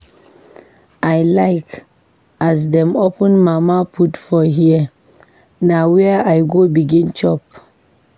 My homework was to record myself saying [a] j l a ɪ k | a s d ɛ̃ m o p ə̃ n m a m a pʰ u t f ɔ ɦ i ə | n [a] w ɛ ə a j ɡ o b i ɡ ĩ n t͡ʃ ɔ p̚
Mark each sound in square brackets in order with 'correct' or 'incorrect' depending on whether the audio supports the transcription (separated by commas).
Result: correct, correct